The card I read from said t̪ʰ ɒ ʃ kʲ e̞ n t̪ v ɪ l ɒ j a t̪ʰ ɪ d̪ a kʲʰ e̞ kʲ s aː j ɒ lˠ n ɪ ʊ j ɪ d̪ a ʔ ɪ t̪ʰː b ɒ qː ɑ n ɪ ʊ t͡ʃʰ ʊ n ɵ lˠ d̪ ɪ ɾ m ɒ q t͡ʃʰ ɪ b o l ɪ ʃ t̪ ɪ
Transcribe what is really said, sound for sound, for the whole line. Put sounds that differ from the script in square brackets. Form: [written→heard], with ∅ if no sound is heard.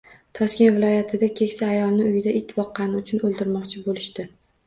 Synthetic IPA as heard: t̪ʰ ɒ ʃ kʲ e̞ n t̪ v ɪ l ɒ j a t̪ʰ ɪ d̪ a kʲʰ e̞ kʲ s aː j ɒ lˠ n ɪ ʊ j ɪ d̪ a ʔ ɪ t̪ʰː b ɒ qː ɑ n ɪ ʊ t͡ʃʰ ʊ n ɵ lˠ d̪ ɪ ɾ m ɒ q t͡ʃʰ ɪ b o l ɪ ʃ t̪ ɪ